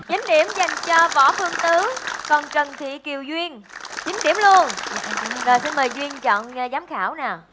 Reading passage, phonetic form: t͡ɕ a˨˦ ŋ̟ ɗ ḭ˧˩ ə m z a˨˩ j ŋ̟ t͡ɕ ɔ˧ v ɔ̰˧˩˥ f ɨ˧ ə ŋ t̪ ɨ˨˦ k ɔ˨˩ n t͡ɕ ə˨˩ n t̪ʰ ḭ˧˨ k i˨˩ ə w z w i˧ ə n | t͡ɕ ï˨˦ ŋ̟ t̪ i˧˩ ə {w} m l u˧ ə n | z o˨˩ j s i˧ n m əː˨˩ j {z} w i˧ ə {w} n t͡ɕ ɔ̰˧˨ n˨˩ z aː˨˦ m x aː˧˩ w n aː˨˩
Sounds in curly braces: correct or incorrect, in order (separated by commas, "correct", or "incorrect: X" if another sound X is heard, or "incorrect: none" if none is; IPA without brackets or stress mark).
incorrect: none, correct, incorrect: none